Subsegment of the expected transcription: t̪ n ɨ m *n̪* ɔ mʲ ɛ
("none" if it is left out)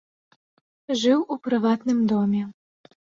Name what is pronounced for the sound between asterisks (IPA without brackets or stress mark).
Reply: d̪